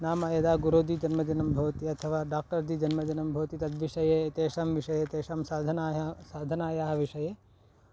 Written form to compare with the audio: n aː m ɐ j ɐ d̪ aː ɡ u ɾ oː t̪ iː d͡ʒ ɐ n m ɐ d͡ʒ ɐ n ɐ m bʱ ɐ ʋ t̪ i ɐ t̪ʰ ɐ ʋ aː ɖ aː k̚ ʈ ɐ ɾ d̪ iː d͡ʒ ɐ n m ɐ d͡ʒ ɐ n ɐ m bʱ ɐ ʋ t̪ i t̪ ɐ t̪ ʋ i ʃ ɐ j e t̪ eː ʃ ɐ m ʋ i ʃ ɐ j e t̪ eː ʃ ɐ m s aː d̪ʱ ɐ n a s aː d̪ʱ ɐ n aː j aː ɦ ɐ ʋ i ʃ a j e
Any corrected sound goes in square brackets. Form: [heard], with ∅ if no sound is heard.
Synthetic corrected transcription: n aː m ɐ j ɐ d̪ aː ɡ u ɾ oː [d̪] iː d͡ʒ ɐ n m ɐ d͡ʒ ɐ n ɐ m bʱ ɐ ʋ t̪ i ɐ t̪ʰ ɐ ʋ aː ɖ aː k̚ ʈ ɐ ɾ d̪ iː d͡ʒ ɐ n m ɐ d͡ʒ ɐ n ɐ m bʱ ɐ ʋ t̪ i t̪ ɐ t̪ ʋ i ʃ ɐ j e t̪ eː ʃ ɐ m ʋ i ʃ ɐ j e t̪ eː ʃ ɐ m s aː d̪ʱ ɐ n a s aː d̪ʱ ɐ n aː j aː ɦ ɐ ʋ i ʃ [ɐ] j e